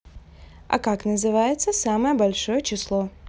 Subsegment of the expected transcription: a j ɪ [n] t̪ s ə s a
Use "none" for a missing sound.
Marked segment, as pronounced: none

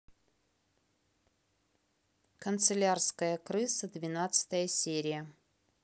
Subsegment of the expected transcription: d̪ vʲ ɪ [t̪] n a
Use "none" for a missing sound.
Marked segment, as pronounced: none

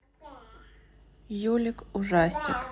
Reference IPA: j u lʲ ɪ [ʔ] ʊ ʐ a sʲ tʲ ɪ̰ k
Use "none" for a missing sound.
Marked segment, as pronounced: k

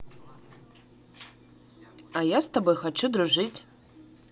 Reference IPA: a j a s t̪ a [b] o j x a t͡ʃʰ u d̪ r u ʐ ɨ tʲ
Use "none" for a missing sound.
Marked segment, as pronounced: b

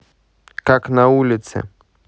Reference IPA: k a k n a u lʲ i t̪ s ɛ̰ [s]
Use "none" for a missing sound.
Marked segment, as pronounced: none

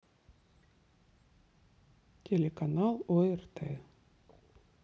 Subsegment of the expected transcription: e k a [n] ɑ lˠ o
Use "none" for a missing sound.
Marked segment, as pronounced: n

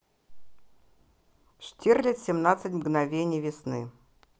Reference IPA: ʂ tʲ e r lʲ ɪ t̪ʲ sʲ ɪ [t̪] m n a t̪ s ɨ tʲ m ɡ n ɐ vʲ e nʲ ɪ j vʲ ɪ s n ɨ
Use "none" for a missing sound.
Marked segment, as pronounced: none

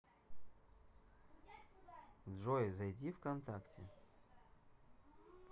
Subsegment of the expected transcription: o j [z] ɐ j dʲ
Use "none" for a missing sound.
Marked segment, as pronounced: z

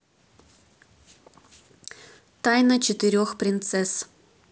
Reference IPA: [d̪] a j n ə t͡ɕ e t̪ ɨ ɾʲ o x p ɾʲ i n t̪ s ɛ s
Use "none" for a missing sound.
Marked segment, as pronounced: t̪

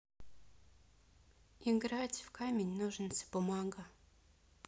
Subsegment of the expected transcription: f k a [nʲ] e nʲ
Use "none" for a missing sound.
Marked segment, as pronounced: mʲ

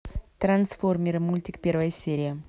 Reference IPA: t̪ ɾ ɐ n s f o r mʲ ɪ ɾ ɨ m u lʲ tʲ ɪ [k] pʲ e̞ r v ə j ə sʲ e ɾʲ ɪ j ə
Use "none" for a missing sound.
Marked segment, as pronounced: k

